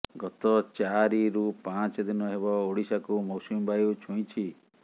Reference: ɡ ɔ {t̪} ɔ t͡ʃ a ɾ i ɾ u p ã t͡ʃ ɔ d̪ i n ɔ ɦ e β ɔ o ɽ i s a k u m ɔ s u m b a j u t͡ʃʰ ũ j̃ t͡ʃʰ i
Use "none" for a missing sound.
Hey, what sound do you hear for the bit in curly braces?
t̪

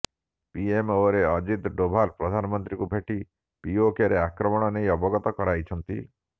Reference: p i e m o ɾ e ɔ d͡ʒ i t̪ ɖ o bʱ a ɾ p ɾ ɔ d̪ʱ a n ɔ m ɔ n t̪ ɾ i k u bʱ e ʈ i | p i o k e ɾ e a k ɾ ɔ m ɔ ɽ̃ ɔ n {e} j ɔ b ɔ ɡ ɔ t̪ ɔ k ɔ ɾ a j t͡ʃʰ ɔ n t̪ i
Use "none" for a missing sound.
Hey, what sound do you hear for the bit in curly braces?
e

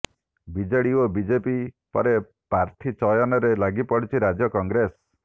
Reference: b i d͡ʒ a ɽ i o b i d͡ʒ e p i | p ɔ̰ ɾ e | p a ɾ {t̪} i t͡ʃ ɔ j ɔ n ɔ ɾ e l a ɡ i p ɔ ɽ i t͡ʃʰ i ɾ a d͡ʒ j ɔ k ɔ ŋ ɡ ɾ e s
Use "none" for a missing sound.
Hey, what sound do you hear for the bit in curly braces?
t̪ʰ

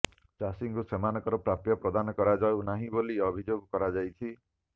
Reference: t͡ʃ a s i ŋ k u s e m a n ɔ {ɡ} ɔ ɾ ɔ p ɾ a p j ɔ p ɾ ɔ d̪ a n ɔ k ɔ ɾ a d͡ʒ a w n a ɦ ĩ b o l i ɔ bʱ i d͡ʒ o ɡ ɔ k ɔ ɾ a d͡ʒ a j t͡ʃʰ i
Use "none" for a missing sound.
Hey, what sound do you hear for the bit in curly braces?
k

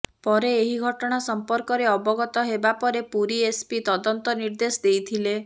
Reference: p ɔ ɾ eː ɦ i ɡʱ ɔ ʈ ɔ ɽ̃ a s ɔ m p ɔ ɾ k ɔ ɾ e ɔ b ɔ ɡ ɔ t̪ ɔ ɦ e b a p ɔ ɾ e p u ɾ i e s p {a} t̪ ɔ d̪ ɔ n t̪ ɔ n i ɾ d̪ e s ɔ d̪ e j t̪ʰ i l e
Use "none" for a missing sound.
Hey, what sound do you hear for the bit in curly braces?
i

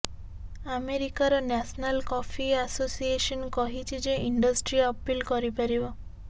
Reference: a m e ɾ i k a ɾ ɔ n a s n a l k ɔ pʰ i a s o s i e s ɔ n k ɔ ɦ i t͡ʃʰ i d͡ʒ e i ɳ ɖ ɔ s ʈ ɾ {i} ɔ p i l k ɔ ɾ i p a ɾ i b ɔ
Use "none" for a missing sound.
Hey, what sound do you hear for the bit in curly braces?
i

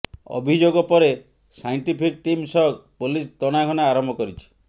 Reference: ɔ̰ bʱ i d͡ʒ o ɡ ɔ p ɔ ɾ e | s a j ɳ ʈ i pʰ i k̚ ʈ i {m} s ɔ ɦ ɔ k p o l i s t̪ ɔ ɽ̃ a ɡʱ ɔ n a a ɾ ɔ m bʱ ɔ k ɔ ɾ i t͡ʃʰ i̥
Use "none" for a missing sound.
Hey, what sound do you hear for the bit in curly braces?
m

